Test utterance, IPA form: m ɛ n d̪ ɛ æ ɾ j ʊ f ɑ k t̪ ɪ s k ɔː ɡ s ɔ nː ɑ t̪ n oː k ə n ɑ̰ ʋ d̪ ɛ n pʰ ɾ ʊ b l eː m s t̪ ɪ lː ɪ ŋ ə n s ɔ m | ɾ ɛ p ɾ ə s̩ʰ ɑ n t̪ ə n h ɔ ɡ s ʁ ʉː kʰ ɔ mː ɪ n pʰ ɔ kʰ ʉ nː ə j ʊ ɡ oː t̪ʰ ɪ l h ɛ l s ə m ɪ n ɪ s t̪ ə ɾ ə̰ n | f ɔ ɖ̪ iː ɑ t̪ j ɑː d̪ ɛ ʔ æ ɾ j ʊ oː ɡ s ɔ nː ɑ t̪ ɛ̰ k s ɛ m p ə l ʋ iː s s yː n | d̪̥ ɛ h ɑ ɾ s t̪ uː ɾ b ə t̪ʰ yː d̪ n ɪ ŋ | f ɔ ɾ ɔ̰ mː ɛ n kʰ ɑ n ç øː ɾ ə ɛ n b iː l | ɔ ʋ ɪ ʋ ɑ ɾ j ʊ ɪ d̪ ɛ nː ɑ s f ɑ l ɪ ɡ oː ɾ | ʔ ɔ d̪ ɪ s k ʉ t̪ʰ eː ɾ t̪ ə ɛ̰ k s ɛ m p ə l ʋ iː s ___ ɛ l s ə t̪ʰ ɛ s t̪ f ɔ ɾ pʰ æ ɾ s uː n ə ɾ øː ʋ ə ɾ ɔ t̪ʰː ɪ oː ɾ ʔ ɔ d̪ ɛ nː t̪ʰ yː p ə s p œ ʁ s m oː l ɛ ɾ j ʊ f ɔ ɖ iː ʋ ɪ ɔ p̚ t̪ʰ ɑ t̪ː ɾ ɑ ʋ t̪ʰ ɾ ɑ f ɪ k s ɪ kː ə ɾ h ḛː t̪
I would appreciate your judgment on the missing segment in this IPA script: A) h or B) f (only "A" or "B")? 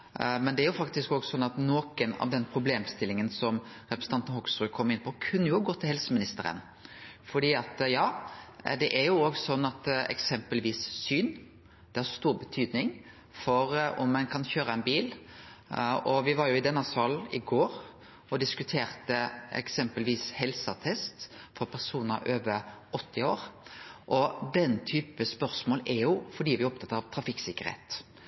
A